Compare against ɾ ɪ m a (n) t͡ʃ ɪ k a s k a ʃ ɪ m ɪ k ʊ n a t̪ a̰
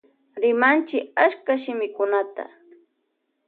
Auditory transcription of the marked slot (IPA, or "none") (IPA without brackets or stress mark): n